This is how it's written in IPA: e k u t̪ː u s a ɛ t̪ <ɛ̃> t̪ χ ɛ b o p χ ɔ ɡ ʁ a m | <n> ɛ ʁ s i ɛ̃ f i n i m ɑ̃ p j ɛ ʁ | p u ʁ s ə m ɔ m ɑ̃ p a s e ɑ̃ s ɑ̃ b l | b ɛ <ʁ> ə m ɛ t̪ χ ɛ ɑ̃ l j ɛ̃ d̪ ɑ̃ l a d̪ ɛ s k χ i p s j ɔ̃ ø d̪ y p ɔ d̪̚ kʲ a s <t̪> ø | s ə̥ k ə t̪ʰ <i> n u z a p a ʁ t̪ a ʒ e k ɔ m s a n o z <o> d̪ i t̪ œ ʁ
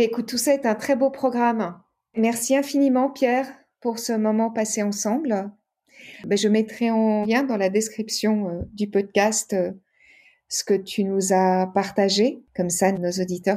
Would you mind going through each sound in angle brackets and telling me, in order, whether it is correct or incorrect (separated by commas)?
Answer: correct, incorrect, incorrect, correct, incorrect, correct